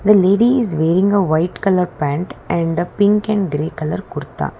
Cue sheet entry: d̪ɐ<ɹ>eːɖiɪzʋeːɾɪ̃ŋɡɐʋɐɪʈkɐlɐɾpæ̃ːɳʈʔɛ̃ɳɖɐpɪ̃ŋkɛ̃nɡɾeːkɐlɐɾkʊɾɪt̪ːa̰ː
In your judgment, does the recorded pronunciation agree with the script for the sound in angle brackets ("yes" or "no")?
no